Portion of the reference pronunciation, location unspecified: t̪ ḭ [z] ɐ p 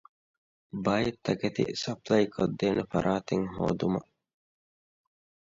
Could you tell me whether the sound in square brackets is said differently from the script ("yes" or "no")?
yes